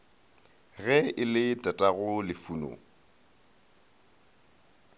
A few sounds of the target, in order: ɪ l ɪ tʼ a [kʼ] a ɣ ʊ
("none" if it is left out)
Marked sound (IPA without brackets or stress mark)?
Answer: tʼ